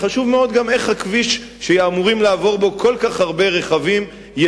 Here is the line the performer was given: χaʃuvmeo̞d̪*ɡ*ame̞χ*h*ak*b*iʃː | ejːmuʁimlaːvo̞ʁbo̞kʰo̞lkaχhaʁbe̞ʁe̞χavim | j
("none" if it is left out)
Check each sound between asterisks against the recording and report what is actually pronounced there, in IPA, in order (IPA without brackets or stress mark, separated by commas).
ɡ, h, v